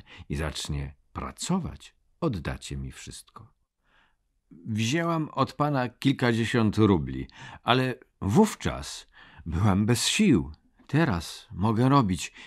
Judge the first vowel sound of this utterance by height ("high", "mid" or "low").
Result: high